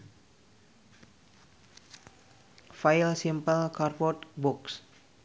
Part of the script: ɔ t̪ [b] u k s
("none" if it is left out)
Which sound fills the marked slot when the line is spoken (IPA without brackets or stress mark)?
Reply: b